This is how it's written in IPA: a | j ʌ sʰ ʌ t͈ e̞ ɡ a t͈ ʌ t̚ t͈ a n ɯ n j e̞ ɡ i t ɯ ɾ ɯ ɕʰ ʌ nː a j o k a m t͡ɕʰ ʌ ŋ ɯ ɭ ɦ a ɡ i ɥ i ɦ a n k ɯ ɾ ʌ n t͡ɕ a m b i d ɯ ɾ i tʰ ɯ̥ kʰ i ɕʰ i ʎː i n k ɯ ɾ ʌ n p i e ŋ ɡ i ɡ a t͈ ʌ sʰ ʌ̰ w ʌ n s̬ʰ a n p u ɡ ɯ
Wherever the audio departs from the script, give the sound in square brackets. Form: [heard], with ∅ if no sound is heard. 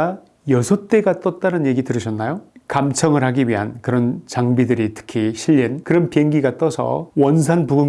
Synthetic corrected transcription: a | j ʌ sʰ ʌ t͈ e̞ ɡ a t͈ ʌ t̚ t͈ a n ɯ n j e̞ ɡ i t ɯ ɾ ɯ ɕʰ ʌ nː a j o k a m t͡ɕʰ ʌ ŋ ɯ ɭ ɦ a ɡ i ɥ i ɦ a n k ɯ ɾ ʌ n t͡ɕ a [ŋ] b i d ɯ ɾ i tʰ ɯ̥ kʰ i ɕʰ i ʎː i n k ɯ ɾ ʌ n p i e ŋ ɡ i ɡ a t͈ ʌ sʰ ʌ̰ w ʌ n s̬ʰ a n p u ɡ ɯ